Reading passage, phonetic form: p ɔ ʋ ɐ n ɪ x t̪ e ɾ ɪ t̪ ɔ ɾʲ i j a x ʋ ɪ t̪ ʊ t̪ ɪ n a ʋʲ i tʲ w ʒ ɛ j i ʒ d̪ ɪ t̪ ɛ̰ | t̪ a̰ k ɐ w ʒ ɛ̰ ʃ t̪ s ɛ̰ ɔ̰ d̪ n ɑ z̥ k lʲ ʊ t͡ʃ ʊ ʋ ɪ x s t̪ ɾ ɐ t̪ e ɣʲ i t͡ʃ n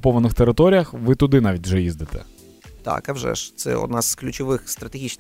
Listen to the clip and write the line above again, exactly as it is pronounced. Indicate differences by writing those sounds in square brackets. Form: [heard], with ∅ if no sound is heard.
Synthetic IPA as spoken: p ɔ ʋ ɐ n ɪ x t̪ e ɾ ɪ t̪ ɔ ɾʲ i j [ɐ] x ʋ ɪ t̪ ʊ [d̪] ɪ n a ʋʲ i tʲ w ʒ ɛ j i [z] d̪ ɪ t̪ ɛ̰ | t̪ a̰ k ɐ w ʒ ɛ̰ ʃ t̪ s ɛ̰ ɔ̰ d̪ n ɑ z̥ k lʲ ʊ t͡ʃ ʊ ʋ ɪ x s t̪ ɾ ɐ t̪ e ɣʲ i t͡ʃ n